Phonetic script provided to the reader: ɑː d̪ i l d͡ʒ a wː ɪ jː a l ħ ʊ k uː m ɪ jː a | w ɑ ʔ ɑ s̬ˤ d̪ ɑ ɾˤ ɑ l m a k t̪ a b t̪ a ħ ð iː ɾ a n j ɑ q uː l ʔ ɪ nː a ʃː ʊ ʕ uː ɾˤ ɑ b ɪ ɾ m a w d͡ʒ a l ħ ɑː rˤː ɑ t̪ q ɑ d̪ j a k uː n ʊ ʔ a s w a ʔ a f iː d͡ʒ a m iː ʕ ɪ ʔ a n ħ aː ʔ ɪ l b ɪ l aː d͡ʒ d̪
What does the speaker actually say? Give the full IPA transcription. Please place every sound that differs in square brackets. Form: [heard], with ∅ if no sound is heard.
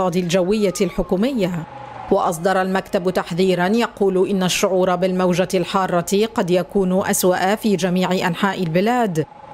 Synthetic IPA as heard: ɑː d̪ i l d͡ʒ a wː ɪ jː a l ħ ʊ k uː m ɪ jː a | w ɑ ʔ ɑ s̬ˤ d̪ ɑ ɾˤ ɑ l m a k t̪ a b t̪ a ħ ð iː ɾ a n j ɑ q uː l ʔ ɪ nː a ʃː ʊ ʕ uː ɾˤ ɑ b ɪ [l] m a w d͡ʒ a l ħ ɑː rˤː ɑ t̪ q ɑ d̪ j a k uː n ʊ ʔ a s w a ʔ a f iː d͡ʒ a m iː ʕ ɪ ʔ a n ħ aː ʔ ɪ l b ɪ l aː [∅] d̪

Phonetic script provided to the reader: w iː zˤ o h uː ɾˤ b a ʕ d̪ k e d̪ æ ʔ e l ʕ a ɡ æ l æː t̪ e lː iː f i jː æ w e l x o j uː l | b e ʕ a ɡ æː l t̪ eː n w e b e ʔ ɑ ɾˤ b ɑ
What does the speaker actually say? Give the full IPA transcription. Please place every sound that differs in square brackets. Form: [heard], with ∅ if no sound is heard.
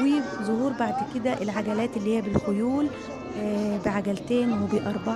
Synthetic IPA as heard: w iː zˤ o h uː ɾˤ b a ʕ d̪ k e d̪ æ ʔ e l ʕ a ɡ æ l æː t̪ e lː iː [h] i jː æ [b] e l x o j uː l | b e ʕ a ɡ [æ] l t̪ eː n w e b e ʔ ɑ ɾˤ b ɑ

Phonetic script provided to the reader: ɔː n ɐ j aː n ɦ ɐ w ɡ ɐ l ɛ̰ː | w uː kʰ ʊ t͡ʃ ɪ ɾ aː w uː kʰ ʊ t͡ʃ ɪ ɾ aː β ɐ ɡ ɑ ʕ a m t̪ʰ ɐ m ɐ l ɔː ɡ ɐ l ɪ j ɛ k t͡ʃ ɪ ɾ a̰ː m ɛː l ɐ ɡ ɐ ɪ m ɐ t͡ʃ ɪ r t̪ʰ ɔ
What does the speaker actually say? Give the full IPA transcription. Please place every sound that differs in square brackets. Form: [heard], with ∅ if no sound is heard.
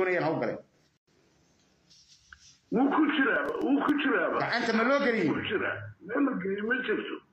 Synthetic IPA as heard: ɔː n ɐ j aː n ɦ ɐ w ɡ ɐ l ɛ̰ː | w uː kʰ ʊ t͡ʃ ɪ ɾ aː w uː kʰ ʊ t͡ʃ ɪ ɾ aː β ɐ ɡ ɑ ʕ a [n] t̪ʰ ɐ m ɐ l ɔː ɡ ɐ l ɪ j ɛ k t͡ʃ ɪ ɾ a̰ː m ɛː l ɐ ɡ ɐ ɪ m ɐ t͡ʃ ɪ r t̪ʰ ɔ

